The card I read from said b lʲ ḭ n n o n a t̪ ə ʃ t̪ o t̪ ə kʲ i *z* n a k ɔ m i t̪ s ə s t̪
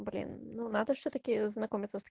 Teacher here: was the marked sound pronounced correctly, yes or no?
yes